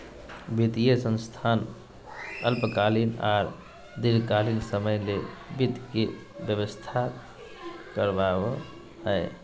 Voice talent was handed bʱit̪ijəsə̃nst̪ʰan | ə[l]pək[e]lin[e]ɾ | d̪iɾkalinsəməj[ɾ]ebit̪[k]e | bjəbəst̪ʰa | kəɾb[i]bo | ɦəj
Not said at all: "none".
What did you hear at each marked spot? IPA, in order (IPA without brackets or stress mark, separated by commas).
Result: l, a, a, l, k, a